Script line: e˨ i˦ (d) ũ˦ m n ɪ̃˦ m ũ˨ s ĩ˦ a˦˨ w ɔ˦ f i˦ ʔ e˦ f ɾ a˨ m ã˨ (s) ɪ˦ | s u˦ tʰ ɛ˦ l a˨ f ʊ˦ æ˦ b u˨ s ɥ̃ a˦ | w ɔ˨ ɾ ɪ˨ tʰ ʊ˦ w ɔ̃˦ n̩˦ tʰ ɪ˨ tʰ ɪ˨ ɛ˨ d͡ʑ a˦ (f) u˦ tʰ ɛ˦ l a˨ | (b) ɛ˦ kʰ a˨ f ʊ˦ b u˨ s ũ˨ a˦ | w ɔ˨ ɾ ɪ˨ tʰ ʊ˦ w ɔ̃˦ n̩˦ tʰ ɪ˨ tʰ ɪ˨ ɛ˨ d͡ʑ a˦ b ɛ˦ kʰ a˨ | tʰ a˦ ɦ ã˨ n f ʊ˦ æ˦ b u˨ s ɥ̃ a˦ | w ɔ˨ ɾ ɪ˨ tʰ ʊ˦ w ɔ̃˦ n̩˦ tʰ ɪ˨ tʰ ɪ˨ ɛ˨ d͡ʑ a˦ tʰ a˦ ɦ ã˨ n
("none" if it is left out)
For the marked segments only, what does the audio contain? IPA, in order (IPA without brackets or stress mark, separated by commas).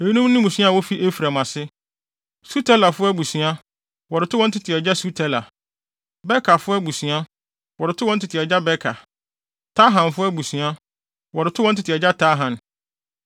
n, s, s, b